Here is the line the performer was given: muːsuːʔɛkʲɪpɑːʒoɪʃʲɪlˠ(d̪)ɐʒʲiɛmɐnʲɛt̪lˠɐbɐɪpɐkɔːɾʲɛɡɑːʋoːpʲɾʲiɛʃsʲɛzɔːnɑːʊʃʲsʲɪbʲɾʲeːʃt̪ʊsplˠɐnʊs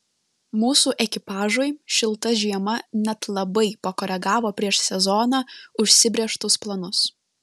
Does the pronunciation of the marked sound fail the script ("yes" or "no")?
yes